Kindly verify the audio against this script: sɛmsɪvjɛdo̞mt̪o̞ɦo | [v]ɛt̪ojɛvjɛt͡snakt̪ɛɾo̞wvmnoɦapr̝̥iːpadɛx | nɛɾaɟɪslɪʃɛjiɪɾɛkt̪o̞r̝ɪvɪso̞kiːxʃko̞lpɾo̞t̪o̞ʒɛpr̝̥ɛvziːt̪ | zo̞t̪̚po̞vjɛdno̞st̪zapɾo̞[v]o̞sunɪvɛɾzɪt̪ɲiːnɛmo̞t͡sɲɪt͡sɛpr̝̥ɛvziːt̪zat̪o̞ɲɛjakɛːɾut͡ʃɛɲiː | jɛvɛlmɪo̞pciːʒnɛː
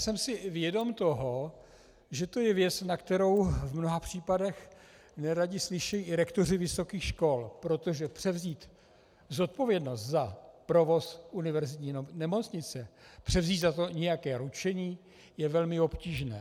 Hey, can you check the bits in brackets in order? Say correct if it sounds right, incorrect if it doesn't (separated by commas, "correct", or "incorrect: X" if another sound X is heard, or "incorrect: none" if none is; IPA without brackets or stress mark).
incorrect: ʒ, correct